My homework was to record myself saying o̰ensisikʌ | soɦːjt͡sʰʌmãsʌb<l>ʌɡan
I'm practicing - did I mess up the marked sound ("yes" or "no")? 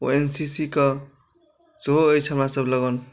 no